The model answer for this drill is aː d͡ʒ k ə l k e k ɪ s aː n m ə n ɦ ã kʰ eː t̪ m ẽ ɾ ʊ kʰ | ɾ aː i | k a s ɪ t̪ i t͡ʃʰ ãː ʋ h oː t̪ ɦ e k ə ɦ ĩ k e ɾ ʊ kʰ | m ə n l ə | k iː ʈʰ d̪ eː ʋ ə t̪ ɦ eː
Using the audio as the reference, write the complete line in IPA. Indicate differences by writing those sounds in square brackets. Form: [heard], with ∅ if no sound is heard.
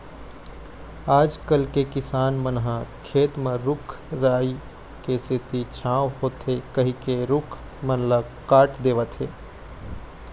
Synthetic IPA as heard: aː d͡ʒ k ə l k e k ɪ s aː n m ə n ɦ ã kʰ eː t̪ m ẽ ɾ ʊ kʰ | ɾ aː i | k [e] s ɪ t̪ i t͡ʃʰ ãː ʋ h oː t̪ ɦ e k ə ɦ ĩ k e ɾ ʊ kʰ | m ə n l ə | k [aː] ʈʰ d̪ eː ʋ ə t̪ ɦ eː